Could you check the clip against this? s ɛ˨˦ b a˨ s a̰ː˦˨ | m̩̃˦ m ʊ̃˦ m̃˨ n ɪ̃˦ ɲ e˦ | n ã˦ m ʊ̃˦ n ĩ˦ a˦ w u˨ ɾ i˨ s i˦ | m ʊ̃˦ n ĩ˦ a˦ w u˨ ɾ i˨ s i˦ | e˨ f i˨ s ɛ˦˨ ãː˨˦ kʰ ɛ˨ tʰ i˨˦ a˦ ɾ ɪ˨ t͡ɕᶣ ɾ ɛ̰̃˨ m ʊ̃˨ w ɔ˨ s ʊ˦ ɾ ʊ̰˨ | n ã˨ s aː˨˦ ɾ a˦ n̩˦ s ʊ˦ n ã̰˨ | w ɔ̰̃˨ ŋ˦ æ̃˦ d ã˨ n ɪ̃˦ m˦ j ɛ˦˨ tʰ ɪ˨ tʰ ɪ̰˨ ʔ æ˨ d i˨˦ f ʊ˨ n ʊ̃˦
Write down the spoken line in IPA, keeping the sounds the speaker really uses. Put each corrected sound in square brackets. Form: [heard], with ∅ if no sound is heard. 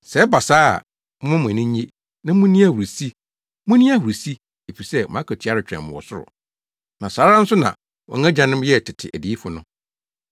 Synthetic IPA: s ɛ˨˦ b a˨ s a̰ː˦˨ | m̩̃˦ m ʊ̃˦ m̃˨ n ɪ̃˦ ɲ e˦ | n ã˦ m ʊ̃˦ n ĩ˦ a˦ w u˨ ɾ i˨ s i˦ | m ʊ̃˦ n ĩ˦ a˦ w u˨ ɾ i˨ s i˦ | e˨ f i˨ s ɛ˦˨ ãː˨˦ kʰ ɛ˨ tʰ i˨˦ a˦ ɾ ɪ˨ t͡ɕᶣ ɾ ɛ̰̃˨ m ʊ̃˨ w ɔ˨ s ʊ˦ ɾ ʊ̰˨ | n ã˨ s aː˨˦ ɾ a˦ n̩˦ s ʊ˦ n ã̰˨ | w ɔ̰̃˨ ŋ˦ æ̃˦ [d͡ʑ] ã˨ n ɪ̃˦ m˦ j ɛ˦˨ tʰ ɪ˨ tʰ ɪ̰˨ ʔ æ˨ d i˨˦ f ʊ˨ n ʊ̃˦